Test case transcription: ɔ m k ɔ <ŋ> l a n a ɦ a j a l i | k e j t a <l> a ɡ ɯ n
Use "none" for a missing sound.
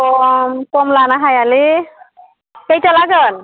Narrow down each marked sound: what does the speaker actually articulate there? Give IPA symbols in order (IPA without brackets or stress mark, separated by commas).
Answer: m, l